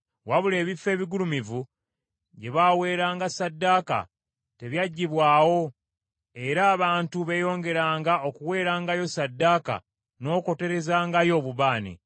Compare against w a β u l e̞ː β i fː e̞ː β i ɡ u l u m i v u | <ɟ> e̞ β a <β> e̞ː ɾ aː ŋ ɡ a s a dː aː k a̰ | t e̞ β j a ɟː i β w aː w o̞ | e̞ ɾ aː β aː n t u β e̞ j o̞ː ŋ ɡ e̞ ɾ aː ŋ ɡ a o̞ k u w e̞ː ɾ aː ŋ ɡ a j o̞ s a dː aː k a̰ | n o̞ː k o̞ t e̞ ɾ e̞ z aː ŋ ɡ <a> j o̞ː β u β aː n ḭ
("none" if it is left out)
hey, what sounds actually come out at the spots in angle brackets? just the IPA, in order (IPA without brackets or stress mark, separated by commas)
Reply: ɟ, w, a